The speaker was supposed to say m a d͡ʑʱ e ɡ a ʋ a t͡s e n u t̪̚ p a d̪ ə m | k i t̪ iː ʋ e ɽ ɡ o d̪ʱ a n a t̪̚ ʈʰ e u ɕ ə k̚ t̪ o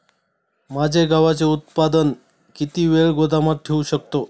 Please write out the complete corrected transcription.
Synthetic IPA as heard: m a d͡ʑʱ e ɡ a ʋ a t͡s e u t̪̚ p a d̪ ə n | k i t̪ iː ʋ e ɭ ɡ o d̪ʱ a m a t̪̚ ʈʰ e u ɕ ə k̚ t̪ o